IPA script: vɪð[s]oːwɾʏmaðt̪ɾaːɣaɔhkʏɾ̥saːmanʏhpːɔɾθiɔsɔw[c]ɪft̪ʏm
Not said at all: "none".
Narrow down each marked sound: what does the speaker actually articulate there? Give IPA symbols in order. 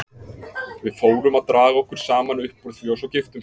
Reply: f, c

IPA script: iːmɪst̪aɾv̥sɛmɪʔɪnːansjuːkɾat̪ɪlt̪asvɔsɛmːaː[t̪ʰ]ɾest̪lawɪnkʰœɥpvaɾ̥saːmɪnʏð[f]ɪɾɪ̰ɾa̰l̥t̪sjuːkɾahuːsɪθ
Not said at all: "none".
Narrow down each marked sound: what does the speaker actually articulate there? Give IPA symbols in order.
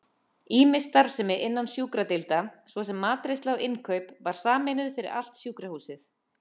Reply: t̪, f

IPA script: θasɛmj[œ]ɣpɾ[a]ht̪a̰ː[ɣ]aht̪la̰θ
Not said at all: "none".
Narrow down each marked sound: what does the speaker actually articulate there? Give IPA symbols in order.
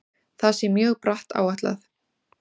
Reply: œː, a, w

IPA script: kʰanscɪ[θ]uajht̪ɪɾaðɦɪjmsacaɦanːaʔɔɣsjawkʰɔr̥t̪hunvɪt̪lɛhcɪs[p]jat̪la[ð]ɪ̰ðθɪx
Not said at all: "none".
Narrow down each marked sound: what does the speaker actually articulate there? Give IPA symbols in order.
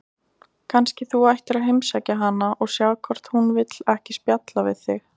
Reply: θ, p, v

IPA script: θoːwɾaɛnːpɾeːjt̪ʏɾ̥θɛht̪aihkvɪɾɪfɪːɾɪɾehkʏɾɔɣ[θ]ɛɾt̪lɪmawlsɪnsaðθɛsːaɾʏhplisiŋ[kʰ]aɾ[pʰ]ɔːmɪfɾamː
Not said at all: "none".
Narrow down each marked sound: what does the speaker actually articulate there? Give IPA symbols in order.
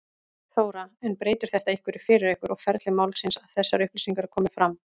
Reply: f, k, kʰ

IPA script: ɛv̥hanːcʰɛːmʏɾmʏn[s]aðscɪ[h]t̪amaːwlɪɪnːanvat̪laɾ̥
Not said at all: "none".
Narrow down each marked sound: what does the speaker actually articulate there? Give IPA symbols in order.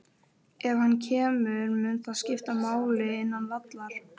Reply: θ, f

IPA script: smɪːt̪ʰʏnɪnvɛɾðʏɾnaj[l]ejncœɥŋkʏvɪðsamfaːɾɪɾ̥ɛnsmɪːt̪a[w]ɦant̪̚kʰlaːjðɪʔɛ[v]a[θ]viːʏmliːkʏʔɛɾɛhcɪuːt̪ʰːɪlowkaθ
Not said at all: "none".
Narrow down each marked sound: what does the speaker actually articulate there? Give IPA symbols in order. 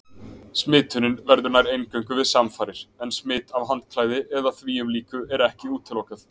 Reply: ɾ, v, ð, θ

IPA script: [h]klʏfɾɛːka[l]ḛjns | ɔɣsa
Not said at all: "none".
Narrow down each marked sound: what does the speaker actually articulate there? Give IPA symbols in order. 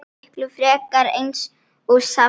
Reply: h, ɾ

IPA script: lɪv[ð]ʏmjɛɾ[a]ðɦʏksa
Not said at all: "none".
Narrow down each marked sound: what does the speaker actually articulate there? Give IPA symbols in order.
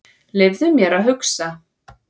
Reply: ð, a

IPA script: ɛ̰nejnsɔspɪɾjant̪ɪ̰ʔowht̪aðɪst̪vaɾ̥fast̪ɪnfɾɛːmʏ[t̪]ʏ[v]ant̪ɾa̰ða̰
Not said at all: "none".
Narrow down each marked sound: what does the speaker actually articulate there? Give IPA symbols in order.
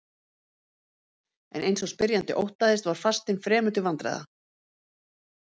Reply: t̪, v

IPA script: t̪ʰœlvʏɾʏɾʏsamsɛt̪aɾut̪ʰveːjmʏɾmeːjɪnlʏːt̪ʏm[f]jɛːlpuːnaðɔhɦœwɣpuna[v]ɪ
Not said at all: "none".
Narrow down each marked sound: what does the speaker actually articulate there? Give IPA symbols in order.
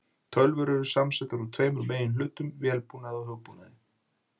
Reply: v, ð

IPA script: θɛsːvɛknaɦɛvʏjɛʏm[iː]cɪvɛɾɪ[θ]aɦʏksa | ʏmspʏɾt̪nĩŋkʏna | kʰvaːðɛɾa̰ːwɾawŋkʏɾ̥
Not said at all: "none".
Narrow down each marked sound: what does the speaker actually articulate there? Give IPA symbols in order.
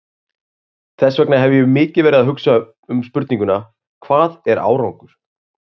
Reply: ɪː, ð

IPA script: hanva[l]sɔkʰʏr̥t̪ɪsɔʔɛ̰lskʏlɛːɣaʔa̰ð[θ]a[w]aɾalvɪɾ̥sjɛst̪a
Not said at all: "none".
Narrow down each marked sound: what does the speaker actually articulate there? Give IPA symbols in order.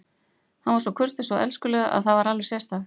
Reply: ɾ, θ, v

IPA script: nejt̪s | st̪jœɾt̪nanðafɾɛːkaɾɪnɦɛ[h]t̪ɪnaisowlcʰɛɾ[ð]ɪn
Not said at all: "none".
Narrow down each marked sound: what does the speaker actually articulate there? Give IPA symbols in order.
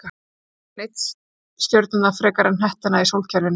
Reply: h, v

